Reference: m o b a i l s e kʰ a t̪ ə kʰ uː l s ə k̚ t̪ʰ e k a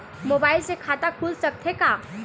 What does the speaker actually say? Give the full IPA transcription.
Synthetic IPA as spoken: m o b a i l s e kʰ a t̪ a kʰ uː l s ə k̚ t̪ʰ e k a